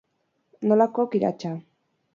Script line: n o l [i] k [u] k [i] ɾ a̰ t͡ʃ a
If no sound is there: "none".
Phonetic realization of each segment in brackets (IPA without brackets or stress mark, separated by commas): a, o, i